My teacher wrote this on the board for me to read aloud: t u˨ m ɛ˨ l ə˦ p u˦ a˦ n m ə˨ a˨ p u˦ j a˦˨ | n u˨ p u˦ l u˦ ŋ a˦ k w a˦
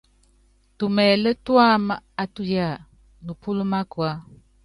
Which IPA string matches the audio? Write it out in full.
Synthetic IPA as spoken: t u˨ m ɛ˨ l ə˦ t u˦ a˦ m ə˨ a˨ t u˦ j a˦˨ | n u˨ p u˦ l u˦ m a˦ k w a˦